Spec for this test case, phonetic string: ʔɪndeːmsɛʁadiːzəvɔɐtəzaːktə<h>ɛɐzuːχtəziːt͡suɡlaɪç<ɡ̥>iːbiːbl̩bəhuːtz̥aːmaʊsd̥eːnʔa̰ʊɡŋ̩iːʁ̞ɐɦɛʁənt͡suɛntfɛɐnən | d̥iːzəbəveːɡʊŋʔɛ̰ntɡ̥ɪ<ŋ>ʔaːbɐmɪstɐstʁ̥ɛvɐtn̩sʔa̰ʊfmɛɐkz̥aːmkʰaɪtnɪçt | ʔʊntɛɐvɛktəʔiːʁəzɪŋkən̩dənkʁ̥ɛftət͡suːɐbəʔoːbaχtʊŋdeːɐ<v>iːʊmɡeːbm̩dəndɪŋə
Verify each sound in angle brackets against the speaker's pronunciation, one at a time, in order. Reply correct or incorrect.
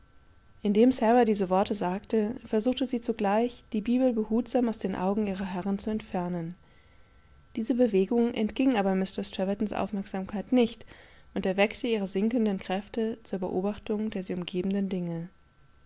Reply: incorrect, incorrect, correct, incorrect

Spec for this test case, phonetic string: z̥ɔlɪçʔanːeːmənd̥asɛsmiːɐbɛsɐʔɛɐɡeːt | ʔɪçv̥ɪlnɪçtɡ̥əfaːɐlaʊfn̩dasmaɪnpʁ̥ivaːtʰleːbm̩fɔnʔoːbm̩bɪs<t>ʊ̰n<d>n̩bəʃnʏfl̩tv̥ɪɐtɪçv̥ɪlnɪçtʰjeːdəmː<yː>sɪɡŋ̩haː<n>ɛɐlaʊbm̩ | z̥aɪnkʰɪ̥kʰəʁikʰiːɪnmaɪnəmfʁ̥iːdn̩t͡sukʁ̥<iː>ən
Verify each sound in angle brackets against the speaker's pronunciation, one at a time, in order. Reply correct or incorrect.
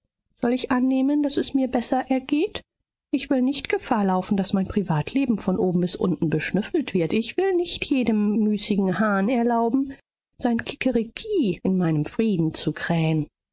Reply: incorrect, incorrect, correct, correct, incorrect

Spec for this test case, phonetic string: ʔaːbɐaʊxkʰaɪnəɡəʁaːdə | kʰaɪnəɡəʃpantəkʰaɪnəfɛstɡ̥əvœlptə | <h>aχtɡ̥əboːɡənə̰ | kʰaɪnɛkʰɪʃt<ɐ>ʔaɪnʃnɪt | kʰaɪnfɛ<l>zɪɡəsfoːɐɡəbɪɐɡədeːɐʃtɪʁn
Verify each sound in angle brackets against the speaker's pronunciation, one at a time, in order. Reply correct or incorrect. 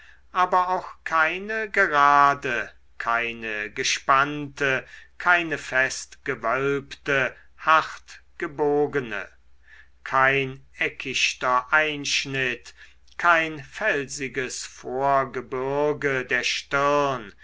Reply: correct, correct, correct

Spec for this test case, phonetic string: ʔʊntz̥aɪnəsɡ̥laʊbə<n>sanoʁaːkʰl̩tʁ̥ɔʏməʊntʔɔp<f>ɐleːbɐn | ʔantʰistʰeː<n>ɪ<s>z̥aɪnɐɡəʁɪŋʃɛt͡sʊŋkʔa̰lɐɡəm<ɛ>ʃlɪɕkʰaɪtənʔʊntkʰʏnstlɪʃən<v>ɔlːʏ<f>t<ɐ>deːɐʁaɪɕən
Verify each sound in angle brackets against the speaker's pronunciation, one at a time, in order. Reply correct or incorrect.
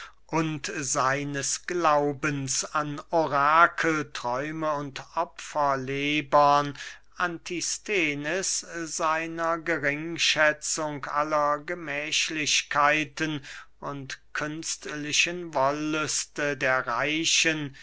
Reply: correct, correct, correct, correct, incorrect, correct, incorrect, incorrect

